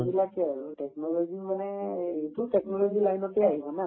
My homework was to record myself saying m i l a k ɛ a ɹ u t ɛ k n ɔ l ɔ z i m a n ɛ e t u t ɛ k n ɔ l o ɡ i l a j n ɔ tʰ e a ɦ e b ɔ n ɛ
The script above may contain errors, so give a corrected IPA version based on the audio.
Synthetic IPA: b i l a k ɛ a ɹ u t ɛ k n ɔ l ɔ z i m a n ɛ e t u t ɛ k n ɔ l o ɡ i l a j n ɔ t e a ɦ i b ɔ n a